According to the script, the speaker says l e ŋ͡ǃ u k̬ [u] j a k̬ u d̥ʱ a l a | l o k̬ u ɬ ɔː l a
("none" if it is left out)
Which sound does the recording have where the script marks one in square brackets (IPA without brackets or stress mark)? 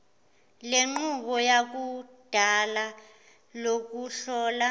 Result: ɔ